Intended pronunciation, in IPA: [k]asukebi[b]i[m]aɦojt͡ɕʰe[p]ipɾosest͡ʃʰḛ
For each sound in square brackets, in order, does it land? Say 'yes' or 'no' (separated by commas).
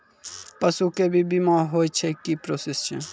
no, yes, yes, no